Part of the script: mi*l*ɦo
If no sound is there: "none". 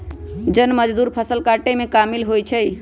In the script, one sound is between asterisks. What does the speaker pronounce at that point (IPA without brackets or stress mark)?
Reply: l